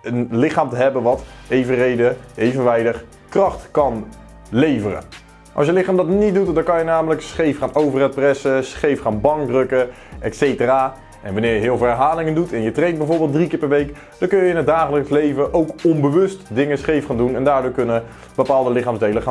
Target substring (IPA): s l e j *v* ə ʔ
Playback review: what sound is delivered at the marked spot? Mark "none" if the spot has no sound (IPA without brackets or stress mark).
v